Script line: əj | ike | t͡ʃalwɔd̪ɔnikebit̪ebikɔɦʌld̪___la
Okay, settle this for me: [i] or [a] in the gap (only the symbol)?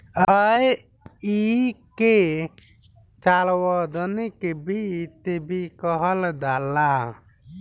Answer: a